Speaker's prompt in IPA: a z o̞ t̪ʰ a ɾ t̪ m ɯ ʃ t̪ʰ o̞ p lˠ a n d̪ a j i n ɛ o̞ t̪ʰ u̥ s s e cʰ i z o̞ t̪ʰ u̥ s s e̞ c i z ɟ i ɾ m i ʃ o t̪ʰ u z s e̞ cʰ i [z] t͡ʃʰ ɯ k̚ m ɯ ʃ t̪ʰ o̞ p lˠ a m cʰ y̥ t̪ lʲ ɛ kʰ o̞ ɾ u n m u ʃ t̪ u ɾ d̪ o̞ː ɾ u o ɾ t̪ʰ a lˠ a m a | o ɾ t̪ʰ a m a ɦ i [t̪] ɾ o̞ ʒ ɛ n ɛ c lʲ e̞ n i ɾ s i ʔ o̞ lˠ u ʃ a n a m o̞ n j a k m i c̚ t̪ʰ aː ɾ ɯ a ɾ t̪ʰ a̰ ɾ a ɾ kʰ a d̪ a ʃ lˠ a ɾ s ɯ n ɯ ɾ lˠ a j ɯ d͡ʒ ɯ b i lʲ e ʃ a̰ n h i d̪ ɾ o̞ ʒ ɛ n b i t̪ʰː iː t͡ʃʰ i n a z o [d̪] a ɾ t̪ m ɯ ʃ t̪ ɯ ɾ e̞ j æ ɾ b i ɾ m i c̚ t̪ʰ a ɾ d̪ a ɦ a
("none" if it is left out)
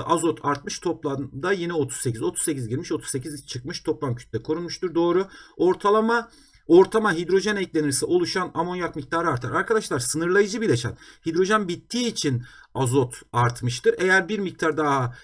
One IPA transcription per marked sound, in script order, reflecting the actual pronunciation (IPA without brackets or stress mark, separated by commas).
z, d̪, t̪